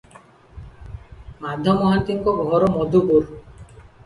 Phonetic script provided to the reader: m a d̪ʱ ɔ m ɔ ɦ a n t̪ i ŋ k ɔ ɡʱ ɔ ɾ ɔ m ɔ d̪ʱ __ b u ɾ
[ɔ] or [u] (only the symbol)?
u